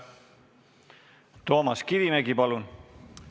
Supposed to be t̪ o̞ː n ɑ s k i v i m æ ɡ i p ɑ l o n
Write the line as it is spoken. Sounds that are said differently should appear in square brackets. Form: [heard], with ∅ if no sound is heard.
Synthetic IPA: t̪ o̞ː [m] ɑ s k i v i m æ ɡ i p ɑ l [u] n